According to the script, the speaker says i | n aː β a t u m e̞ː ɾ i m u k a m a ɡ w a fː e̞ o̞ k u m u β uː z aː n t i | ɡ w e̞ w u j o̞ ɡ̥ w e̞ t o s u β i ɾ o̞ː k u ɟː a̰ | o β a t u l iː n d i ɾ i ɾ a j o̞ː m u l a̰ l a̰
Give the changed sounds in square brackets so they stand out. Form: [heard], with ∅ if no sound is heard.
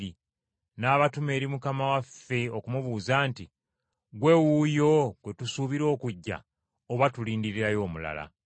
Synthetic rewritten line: i | n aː β a t u m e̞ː ɾ i m u k a m a [∅] w a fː e̞ o̞ k u m u β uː z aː n t i | ɡ w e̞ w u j o̞ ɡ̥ w e̞ t [u] s u β i ɾ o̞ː k u ɟː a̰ | o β a t u l iː n d i ɾ i ɾ a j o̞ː m u l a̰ l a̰